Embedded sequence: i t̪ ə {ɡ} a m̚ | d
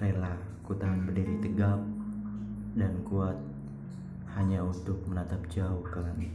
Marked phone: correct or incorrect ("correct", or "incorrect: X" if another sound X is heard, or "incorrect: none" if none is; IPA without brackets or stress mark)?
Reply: correct